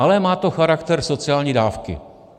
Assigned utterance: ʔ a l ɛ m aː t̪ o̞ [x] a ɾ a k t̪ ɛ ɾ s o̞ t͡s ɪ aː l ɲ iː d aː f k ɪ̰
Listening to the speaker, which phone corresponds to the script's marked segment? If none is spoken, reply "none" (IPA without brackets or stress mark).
x